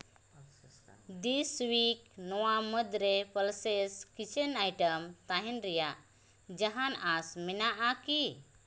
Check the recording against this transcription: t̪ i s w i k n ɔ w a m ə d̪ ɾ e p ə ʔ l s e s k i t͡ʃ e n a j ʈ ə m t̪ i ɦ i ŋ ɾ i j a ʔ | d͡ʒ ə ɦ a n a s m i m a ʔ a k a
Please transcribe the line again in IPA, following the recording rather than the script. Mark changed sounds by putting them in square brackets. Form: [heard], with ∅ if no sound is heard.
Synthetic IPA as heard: [d̪] i s w i k n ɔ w a m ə d̪ ɾ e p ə [∅] l s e s k i t͡ʃ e n a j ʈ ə m t̪ [a] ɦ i [n] ɾ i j a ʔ | d͡ʒ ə ɦ a n a s m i [n] a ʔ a k [i]